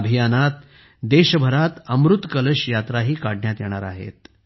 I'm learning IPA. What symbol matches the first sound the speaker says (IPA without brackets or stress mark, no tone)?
bʱ